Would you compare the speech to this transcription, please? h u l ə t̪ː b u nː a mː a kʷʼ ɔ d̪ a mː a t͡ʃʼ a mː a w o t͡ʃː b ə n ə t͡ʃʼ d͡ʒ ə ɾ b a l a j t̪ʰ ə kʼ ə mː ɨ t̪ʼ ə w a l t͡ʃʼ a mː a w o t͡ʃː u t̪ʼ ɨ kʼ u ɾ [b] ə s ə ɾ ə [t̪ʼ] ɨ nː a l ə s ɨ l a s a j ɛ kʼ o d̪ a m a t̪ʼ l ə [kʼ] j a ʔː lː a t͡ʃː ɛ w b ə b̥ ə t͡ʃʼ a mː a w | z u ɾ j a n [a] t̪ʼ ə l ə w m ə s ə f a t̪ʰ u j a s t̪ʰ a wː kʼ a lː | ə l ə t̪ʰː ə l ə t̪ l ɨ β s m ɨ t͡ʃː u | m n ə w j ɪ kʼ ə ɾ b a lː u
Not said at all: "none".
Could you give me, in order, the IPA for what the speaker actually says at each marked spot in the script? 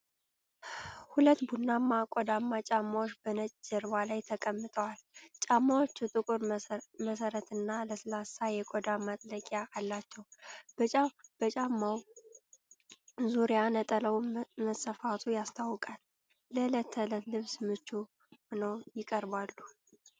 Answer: m, t̪, kʼ, ə

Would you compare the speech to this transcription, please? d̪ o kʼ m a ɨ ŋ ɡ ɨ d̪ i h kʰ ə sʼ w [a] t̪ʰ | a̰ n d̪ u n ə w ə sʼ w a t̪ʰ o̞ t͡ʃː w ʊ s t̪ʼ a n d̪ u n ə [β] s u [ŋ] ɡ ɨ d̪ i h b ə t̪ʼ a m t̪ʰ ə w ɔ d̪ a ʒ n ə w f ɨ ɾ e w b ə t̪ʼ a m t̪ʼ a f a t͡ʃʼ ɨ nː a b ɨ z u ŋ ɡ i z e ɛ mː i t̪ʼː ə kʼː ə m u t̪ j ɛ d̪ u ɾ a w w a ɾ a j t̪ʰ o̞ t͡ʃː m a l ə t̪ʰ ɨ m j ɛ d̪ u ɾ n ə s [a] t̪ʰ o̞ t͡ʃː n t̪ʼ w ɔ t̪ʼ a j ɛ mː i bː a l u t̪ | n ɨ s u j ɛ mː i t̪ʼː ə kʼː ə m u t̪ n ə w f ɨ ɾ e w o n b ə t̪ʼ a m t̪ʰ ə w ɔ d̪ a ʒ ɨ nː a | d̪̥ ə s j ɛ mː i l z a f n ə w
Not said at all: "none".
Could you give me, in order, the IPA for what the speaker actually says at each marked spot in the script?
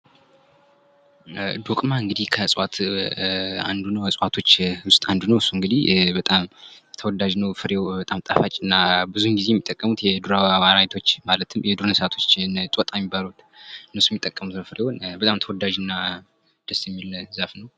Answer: a, w, ŋ, a

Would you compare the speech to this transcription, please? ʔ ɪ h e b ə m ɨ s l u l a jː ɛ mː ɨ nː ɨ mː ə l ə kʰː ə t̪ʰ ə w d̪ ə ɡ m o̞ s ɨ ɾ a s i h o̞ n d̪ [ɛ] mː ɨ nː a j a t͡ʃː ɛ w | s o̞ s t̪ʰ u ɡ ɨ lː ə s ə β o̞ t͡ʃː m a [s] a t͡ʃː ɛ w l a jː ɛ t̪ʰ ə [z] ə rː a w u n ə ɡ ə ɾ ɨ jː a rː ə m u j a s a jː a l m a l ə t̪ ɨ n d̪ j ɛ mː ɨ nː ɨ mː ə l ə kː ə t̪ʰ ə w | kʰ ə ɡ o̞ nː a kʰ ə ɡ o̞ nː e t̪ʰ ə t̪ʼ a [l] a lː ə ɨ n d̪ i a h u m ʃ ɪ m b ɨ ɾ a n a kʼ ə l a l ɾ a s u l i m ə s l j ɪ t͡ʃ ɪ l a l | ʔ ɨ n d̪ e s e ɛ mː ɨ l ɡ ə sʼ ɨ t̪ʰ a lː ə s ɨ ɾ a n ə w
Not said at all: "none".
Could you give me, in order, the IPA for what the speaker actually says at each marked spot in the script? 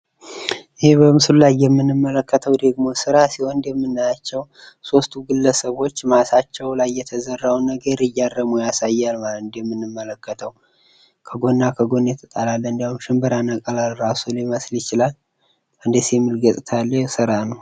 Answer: ɛ, s, z, l

